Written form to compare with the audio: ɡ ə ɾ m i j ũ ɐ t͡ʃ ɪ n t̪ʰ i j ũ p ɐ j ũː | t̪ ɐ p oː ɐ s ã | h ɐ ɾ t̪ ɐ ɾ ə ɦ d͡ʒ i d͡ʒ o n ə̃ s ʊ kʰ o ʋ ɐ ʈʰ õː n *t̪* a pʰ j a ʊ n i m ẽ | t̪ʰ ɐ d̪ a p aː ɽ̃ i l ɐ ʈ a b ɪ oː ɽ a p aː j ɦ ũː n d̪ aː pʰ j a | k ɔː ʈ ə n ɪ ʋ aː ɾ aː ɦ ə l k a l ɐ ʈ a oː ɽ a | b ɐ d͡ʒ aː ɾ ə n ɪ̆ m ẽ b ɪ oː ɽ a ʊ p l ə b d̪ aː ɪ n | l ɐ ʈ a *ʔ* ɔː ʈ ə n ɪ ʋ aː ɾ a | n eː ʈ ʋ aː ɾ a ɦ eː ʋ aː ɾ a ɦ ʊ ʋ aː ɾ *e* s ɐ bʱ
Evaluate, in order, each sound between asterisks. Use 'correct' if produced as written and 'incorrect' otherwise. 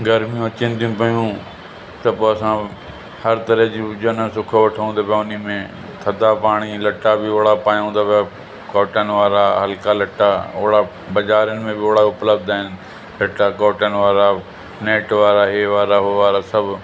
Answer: incorrect, incorrect, incorrect

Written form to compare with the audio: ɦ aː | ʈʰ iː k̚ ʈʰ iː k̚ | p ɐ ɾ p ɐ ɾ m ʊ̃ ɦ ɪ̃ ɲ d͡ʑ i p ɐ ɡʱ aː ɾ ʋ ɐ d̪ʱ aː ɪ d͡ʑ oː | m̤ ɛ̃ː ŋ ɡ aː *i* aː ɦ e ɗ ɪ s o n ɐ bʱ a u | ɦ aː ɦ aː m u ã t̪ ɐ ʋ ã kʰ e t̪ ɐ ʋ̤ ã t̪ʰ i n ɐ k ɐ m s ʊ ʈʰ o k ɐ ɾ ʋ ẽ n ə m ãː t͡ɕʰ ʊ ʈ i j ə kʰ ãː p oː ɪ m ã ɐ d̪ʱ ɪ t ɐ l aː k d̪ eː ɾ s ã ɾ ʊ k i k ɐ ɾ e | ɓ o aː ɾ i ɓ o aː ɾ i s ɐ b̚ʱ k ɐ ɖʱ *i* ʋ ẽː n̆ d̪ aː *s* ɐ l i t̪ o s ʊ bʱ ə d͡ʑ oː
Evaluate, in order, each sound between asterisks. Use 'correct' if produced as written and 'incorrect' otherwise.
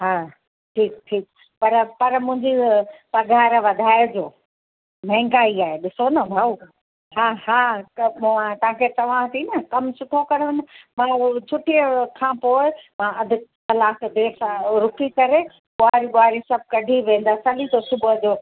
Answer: correct, correct, correct

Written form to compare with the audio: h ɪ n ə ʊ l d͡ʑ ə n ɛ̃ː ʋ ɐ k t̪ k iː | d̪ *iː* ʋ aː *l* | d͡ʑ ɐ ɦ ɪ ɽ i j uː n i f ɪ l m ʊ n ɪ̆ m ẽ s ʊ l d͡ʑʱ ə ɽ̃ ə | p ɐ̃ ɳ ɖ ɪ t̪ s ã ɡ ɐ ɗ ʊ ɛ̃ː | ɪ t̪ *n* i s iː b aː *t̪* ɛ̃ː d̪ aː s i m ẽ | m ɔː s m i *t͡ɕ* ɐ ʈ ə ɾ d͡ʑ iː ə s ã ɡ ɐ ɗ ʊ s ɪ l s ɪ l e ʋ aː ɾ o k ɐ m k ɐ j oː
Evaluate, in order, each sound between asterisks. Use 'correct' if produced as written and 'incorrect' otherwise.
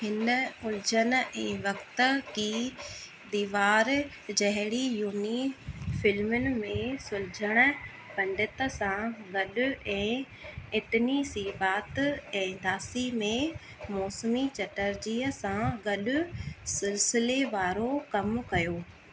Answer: correct, incorrect, correct, correct, correct

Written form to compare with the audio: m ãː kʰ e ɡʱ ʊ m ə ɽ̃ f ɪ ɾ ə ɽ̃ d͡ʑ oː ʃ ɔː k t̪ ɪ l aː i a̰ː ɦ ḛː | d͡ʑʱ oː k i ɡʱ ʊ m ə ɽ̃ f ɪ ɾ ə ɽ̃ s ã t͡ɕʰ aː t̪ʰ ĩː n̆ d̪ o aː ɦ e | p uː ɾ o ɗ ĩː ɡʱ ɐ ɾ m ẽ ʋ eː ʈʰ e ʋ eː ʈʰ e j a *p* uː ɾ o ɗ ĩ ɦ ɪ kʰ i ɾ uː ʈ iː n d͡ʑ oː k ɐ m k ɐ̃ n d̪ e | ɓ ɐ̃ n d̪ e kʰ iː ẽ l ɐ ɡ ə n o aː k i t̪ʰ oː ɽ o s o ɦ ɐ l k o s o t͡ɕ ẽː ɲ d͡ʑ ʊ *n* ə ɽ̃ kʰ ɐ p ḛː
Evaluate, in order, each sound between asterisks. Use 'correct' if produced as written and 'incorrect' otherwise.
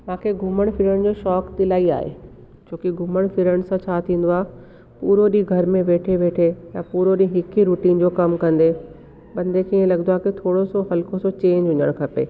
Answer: correct, incorrect

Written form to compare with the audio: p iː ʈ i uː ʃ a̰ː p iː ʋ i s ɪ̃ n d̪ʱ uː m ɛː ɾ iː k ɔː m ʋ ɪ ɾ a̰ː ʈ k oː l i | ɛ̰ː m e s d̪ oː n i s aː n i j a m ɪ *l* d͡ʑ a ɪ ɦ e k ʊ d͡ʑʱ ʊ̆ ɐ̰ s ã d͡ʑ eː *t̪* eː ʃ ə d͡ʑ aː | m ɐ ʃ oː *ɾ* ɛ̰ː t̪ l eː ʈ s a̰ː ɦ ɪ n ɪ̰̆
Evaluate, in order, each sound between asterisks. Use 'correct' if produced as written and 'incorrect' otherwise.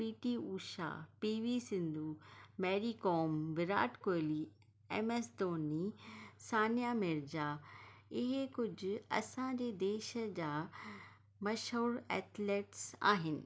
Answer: incorrect, incorrect, correct

